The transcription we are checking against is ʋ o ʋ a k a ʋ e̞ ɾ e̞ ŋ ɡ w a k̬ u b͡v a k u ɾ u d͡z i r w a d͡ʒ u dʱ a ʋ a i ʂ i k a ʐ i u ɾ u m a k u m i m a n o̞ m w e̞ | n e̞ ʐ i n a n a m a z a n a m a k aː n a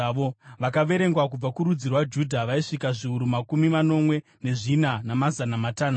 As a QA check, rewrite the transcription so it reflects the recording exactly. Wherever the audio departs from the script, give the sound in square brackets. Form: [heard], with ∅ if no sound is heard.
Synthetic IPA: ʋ o ʋ a k a ʋ e̞ ɾ e̞ ŋ ɡ w a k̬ u b͡v a k u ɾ u d͡z i r w a d͡ʒ u dʱ a ʋ a i ʂ i k a ʐ i u ɾ u m a k u m i m a n o̞ m w e̞ | n e̞ ʐ i n a n a m a z a n a m a [t] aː n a